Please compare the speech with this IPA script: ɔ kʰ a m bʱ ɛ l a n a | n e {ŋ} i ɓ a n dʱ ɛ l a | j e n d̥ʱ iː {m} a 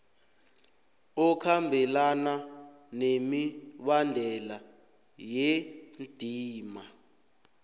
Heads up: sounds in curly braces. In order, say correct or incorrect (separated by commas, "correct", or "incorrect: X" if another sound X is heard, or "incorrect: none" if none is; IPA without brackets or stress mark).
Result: incorrect: m, correct